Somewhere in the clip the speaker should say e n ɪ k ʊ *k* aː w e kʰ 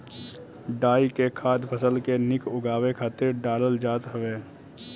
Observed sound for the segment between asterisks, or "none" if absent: ɡ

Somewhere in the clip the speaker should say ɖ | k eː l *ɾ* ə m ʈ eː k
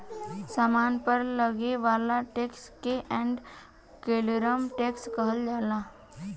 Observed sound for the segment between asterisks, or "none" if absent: ɾ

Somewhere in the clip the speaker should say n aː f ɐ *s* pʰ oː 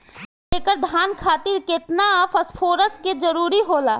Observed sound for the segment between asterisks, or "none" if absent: s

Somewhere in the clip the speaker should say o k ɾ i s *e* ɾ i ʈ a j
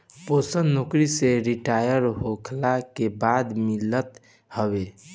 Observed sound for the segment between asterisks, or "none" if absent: e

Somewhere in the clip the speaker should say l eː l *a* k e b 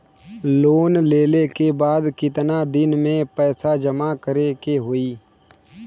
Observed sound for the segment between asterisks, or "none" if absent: e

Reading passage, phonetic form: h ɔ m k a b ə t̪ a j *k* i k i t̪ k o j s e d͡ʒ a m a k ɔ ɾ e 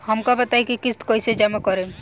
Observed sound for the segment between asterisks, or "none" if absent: k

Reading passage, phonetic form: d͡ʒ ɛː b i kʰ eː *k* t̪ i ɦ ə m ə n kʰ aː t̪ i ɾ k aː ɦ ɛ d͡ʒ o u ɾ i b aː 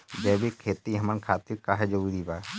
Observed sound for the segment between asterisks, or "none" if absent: none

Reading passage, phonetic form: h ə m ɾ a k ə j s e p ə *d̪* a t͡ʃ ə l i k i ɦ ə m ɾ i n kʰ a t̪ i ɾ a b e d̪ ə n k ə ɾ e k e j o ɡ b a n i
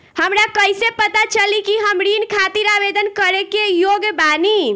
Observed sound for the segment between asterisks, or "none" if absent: t̪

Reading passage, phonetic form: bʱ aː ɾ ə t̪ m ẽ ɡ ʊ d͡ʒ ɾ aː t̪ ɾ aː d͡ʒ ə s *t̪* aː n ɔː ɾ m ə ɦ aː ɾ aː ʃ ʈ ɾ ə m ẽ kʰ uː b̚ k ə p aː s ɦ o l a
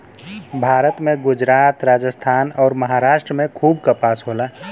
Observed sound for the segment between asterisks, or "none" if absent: t̪ʰ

